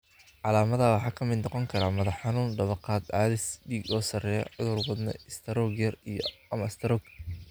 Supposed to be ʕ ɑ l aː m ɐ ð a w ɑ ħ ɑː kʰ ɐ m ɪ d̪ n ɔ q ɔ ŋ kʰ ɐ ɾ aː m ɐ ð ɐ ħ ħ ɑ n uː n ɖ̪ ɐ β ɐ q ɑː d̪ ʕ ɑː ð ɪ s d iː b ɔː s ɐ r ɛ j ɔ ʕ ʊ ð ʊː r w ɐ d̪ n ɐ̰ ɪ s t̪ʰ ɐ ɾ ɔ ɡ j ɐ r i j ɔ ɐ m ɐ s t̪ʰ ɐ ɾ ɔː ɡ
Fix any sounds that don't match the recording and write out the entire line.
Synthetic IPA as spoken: ʕ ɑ l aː m ɐ ð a w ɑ ħ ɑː kʰ ɐ m ɪ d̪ n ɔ q ɔ ŋ kʰ ɐ ɾ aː m ɐ ð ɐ ħ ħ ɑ n uː n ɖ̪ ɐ β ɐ q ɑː d̪ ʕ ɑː ð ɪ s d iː ɡ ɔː s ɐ r ɛ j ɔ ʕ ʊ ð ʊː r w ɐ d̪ n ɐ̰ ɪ s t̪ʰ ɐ ɾ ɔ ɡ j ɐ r i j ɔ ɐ m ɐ s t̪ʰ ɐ ɾ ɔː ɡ

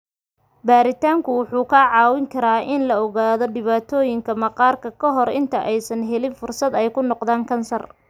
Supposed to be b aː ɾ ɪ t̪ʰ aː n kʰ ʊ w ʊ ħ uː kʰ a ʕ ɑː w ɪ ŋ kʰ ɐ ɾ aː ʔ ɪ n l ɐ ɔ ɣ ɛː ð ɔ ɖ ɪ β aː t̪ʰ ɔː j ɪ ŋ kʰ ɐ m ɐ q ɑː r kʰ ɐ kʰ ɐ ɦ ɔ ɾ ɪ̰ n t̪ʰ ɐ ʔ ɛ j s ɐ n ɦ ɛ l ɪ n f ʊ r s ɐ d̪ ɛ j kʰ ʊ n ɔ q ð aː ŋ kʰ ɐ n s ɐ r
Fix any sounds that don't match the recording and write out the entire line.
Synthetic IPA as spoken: b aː ɾ ɪ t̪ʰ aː ŋ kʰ ʊ w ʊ ħ uː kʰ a ʕ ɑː w ɪ ŋ kʰ ɐ ɾ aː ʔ ɪ n l ɐ ɔ ɣ aː ð ɔ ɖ ɪ β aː t̪ʰ ɔː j ɪ ŋ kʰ ɐ m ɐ q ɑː r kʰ ɐ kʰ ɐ ɦ ɔ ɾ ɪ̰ n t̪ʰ ɐ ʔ ɛ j s ɐ n ɦ ɛ l ɪ n f ʊ r s ɐ d̪ ɛ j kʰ ʊ n ɔ q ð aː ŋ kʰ ɐ n s ɐ r

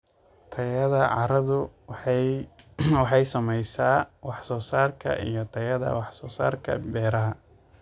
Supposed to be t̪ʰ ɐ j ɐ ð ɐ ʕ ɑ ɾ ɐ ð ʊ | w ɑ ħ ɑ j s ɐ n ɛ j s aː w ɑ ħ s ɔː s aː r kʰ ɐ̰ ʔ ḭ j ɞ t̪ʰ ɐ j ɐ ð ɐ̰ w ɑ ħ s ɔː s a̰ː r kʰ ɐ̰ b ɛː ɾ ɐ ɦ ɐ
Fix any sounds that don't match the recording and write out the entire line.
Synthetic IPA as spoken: t̪ʰ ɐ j ɐ ð ɐ ʕ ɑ ɾ ɐ ð ʊ | w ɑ ħ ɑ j s ɐ m ɛ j s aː w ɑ ħ s ɔː s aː r kʰ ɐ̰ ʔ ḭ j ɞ t̪ʰ ɐ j ɐ ð ɐ̰ w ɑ ħ s ɔː s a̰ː r kʰ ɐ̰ b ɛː ɾ ɐ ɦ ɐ

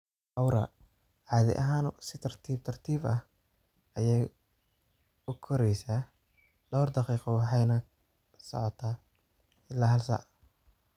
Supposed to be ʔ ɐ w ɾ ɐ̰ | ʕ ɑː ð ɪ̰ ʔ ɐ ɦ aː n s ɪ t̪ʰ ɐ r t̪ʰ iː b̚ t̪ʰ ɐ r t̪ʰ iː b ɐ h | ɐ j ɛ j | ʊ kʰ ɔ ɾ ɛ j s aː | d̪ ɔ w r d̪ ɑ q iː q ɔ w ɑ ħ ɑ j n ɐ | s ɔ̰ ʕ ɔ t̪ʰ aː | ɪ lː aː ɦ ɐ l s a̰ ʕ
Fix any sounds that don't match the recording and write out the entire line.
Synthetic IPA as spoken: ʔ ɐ w ɾ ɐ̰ | ʕ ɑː ð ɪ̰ ʔ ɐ ɦ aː n s ɪ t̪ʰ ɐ r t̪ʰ iː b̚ t̪ʰ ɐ r t̪ʰ iː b ɐ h | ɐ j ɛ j | ʊ kʰ ɔ ɾ ɛ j s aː | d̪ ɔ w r d̪ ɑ q iː q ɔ w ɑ ħ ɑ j n ɐ | s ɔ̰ ʕ ɔ t̪ʰ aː | ɪ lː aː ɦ ɐ l s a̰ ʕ

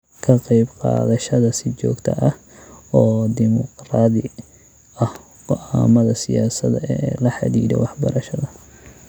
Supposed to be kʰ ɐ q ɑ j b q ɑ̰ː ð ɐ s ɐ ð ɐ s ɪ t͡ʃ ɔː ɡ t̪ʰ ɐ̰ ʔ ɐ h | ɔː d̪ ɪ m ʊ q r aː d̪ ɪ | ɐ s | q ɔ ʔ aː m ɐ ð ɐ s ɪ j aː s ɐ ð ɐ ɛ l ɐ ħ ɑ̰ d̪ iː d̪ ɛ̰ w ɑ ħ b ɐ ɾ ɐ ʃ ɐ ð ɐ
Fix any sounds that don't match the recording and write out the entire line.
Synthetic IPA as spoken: kʰ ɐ q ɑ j b q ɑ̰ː ð ɐ ʃ ɐ ð ɐ s ɪ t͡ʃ ɔː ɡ t̪ʰ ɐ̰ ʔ ɐ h | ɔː d̪ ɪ m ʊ q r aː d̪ ɪ | ɐ h | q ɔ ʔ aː m ɐ ð ɐ s ɪ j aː s ɐ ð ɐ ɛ l ɐ ħ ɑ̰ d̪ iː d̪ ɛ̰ w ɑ ħ b ɐ ɾ ɐ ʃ ɐ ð ɐ

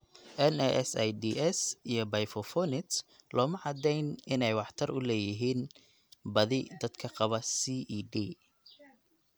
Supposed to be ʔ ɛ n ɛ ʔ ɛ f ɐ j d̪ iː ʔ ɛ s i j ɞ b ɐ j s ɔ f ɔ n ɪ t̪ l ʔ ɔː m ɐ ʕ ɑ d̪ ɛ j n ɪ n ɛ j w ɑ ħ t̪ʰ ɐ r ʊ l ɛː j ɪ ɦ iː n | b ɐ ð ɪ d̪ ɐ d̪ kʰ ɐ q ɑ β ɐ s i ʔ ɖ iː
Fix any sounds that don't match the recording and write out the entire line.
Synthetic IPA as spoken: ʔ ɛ n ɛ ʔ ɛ s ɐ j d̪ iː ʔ ɛ s i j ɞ b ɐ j f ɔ f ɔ n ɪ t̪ l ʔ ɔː m ɐ ʕ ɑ d̪ ɛ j n ɪ n ɛ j w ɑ ħ t̪ʰ ɐ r ʊ l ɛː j ɪ ɦ iː n | b ɐ ð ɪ d̪ ɐ d̪ kʰ ɐ q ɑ β ɐ s i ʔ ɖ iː

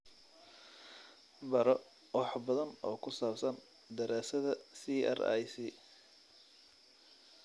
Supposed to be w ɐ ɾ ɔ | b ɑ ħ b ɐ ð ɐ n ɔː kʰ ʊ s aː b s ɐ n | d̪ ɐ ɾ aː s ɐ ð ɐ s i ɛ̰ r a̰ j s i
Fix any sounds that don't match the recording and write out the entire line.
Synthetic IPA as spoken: b ɐ ɾ ɔ | w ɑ ħ b ɐ ð ɐ n ɔː kʰ ʊ s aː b s ɐ n | d̪ ɐ ɾ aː s ɐ ð ɐ s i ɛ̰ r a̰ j s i

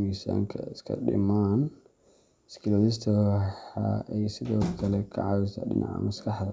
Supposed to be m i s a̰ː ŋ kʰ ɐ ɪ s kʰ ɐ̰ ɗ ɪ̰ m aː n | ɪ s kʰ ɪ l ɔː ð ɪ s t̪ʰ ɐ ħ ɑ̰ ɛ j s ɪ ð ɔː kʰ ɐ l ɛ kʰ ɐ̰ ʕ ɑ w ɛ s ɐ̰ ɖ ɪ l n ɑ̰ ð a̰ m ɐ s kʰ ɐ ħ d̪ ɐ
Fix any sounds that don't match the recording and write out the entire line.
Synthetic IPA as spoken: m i s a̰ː ŋ kʰ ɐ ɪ s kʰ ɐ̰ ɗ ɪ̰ m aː n | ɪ s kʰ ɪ l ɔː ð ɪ s t̪ʰ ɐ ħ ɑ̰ ɛ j s ɪ ð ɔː kʰ ɐ l ɛ kʰ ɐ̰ ʕ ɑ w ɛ s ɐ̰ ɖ ɪ n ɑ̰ ʕ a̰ m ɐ s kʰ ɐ ħ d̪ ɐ

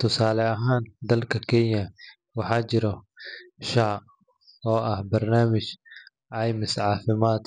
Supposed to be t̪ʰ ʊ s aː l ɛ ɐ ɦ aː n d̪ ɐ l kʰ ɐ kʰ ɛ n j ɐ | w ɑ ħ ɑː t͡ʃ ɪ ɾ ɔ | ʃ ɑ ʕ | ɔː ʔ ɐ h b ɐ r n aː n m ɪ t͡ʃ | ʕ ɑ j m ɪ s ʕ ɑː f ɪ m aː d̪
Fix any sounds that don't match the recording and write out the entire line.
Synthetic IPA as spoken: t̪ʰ ʊ s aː l ɛ ɐ ɦ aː n d̪ ɐ l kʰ ɐ kʰ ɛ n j ɐ | w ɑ ħ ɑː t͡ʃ ɪ ɾ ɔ | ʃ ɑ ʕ | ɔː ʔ ɐ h b ɐ r n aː m ɪ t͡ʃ | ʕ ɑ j m ɪ s ʕ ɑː f ɪ m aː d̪

